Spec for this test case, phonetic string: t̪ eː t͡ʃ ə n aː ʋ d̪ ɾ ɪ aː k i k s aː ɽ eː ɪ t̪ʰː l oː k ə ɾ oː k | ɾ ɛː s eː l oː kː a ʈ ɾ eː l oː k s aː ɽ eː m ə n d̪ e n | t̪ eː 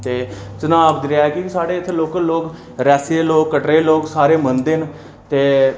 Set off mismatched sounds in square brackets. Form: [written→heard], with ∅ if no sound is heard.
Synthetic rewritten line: t̪ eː t͡ʃ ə n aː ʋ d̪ ɾ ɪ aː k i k s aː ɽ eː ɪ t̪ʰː l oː k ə [ɾ→l] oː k | ɾ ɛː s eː l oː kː [a→ə] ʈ ɾ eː l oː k s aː [ɽ→ɾ] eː m ə n d̪ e n | t̪ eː